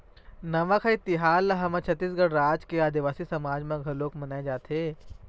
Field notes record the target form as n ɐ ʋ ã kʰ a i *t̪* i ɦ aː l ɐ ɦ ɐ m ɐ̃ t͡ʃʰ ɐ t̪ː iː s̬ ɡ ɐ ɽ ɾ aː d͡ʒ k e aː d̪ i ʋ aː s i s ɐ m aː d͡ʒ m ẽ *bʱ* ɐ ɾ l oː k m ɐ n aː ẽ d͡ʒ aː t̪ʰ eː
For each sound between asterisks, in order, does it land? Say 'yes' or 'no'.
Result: yes, no

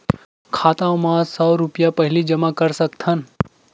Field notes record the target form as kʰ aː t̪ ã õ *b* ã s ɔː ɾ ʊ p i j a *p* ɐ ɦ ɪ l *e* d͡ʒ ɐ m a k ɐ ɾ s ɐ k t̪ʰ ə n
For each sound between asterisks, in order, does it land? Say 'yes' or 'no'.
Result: no, yes, no

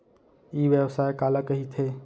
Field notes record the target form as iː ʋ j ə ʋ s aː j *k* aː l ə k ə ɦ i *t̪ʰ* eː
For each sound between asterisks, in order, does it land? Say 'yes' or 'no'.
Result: yes, yes

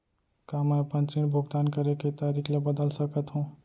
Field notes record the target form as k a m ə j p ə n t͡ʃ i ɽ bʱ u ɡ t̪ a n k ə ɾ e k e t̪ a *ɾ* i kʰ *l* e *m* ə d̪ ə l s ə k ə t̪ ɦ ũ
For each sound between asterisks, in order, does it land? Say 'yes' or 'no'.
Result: yes, yes, no

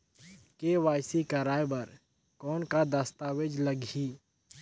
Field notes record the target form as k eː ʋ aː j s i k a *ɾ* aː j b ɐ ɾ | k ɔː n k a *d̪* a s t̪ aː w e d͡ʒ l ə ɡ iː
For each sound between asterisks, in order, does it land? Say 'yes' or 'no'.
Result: yes, yes

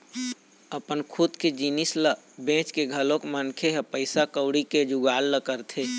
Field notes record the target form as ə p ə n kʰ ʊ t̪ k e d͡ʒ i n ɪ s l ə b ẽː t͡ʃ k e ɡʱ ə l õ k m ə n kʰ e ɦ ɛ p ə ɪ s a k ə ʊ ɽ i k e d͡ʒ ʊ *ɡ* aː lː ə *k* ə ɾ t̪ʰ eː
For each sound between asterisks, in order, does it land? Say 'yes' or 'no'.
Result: yes, yes

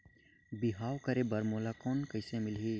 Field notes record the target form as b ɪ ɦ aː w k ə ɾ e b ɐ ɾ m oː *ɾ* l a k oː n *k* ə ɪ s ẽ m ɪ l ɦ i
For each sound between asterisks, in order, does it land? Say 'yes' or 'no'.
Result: no, yes

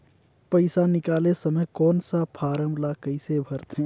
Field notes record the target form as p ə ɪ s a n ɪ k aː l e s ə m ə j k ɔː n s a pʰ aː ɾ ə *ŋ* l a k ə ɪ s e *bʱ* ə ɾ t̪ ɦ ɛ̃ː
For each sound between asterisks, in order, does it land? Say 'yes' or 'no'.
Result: no, yes

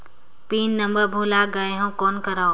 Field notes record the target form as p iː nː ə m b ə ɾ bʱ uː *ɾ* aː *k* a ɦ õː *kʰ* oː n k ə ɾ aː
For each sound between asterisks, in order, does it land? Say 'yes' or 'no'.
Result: no, no, no

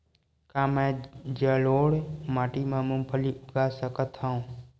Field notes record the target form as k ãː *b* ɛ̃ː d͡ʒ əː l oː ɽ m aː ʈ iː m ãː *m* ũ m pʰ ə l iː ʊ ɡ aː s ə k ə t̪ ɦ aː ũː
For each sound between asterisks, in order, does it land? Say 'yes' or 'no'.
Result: no, yes

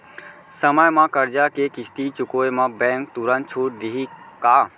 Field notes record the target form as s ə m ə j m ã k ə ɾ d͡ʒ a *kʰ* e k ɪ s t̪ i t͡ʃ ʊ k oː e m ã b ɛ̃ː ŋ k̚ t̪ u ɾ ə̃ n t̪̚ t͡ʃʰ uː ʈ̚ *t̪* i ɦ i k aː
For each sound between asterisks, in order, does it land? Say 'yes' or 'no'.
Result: no, no

